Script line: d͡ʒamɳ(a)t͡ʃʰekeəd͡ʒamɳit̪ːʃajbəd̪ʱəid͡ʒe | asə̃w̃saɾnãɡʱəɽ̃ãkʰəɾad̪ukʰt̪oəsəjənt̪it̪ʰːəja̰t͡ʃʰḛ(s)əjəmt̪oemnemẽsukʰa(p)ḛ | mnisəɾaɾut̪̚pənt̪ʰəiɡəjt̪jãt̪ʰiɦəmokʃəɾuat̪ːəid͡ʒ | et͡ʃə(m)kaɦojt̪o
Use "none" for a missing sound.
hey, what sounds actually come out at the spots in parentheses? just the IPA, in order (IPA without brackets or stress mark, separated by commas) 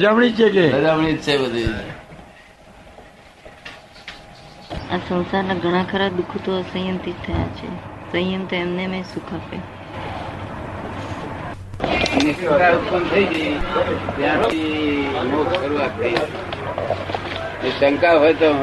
i, s, p, ŋ